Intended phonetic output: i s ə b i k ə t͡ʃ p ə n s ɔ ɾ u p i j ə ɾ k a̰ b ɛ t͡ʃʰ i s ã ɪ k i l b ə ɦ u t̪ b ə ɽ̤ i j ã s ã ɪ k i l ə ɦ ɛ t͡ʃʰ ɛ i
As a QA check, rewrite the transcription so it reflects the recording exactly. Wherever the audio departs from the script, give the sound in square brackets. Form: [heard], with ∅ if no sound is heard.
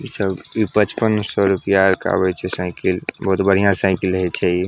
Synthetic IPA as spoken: i s ə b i [p] ə t͡ʃ p ə n s ɔ ɾ u p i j [a] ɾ k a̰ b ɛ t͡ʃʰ [ɛ] s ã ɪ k i l b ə ɦ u t̪ b ə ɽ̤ i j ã s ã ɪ k i l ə ɦ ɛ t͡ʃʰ ɛ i